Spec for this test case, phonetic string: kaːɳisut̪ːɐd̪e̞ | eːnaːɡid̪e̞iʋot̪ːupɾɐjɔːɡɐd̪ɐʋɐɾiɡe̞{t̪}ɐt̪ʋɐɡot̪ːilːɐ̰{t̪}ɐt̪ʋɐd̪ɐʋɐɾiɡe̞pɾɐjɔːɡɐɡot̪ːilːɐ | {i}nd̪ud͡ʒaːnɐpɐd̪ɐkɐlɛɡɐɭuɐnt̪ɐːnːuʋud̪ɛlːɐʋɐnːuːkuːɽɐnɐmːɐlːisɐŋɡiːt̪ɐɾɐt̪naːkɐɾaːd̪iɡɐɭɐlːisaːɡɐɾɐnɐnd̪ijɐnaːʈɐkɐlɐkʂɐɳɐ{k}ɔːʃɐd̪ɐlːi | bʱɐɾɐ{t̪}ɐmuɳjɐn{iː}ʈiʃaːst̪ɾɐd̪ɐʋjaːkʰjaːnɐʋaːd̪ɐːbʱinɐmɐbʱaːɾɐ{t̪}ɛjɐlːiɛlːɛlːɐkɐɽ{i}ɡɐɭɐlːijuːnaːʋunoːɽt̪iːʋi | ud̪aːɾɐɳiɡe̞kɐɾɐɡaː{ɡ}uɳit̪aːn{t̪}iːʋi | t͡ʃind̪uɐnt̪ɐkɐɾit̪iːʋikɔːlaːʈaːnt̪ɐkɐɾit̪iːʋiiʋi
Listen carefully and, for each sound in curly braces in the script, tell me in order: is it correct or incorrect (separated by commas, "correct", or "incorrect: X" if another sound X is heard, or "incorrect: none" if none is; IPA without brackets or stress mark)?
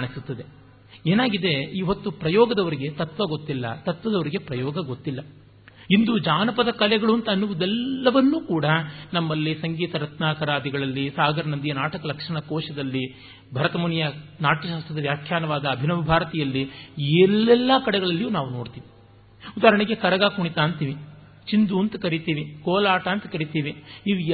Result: correct, correct, correct, correct, correct, incorrect: aː, correct, incorrect: ɛ, incorrect: k, correct